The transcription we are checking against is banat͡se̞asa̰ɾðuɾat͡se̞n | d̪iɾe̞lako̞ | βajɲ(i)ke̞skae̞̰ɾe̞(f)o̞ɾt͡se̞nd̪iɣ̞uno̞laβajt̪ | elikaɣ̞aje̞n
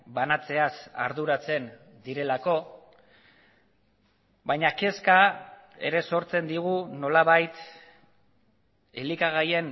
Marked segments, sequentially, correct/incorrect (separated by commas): incorrect, incorrect